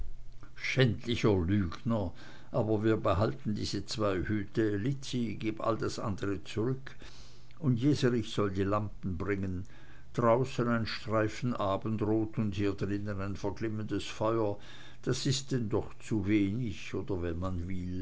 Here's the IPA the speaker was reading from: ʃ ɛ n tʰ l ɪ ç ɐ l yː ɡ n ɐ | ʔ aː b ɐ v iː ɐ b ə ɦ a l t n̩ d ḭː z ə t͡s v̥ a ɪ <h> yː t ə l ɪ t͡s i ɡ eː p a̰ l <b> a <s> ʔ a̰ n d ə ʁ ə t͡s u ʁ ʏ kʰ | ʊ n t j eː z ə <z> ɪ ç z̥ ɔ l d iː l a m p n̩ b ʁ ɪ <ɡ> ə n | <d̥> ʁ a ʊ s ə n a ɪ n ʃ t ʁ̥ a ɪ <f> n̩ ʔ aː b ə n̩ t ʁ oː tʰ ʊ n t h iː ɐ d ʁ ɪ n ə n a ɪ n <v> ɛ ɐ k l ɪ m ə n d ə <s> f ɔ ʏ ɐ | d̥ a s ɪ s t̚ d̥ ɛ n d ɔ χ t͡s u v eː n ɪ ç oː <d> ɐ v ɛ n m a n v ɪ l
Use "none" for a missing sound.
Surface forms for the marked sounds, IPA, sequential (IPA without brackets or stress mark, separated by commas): h, d, s, ʁ, ŋ, d̥, f, f, s, d